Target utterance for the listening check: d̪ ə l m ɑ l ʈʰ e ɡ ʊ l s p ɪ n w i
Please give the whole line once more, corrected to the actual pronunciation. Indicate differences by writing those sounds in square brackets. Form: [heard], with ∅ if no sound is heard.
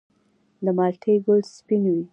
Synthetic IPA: d̪ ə [∅] m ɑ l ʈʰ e ɡ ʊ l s p [i] n w i

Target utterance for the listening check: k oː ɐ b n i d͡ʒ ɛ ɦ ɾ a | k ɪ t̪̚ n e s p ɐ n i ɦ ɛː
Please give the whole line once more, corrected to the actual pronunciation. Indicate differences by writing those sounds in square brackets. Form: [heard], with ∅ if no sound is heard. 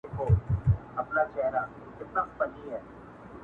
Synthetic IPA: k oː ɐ [p] n [a] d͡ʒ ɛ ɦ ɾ a | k ɪ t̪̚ n [a] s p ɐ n i ɦ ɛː

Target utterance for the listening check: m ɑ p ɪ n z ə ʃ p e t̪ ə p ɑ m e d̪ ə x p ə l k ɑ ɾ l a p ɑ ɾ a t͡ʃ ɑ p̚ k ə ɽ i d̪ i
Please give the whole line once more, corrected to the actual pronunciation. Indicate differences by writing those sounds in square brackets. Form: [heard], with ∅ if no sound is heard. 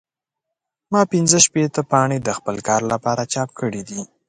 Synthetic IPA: m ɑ p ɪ n z ə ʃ p e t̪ ə p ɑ [ɳ] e d̪ ə x p ə l k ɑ ɾ l a p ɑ ɾ a t͡ʃ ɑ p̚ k ə ɽ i d̪ i

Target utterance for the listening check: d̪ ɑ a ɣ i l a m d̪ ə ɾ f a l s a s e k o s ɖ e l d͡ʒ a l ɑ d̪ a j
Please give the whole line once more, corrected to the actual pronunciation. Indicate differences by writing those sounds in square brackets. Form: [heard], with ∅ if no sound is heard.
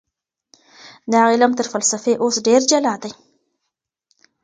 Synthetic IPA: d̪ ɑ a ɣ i l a m [t̪] ə ɾ f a l s a [f] e [ʔ] o s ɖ e [ɾ] d͡ʒ a l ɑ d̪ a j

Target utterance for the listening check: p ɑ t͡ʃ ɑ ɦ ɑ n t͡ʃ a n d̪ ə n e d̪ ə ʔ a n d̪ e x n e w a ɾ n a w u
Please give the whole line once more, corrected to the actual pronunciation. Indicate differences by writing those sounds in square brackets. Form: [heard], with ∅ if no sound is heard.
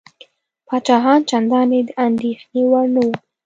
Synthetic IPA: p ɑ t͡ʃ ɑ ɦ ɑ n t͡ʃ a n d̪ [ɑ] n e d̪ ə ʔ a n d̪ e x n e w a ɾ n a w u

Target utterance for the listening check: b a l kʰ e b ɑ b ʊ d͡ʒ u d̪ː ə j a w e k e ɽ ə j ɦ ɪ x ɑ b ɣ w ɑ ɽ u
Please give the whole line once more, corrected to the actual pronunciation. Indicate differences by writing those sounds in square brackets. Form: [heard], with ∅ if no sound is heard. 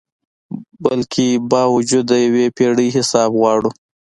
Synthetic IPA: b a l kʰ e b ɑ [w] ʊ d͡ʒ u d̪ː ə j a w e [p] e ɽ ə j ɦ ɪ [s] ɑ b ɣ w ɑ ɽ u

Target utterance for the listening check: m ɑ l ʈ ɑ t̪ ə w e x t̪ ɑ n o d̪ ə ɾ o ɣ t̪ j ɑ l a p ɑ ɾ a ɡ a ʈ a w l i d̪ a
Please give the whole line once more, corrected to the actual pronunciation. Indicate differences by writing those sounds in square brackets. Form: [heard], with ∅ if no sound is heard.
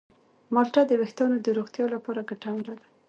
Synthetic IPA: m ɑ l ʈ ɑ [d̪] ə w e x t̪ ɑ n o d̪ ə ɾ o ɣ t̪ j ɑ l a p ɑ ɾ a ɡ a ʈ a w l [a] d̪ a

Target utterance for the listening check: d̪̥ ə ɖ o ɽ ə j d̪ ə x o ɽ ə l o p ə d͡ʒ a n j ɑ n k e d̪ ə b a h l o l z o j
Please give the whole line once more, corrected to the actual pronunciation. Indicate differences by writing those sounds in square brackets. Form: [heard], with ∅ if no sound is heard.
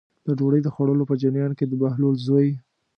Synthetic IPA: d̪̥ ə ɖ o ɽ ə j d̪ ə x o ɽ ə l o p ə d͡ʒ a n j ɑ n k e d̪ ə b a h l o l z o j

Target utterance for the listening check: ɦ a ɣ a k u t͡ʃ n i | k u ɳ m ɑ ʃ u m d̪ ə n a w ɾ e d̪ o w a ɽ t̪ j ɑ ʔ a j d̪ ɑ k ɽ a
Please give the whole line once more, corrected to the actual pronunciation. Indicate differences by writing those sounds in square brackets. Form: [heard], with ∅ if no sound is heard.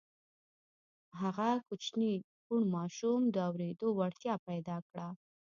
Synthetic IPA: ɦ a ɣ a k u t͡ʃ n i | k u ɳ m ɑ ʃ u m d̪ ə [∅] a w ɾ e d̪ o w a ɽ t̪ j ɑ [p] a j d̪ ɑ k ɽ a

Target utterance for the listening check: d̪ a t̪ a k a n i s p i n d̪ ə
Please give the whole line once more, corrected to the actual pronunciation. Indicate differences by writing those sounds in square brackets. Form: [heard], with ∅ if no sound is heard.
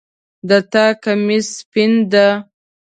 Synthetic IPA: d̪ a t̪ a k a [m] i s p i n d̪ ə

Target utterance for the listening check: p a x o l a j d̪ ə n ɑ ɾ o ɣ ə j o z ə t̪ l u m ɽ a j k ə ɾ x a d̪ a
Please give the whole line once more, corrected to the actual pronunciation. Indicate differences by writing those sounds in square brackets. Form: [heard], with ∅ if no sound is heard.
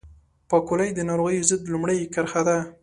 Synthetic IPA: p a [k] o l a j d̪ ə n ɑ ɾ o ɣ ə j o z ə [d̪] l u m ɽ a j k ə ɾ x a d̪ a

